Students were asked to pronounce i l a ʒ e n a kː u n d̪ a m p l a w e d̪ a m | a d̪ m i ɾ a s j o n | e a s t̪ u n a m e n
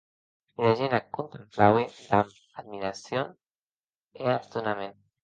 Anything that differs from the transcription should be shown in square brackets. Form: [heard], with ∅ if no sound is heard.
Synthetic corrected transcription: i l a ʒ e n a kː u n [t̪] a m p l a w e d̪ a m | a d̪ m i ɾ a s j o n | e a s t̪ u n a m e n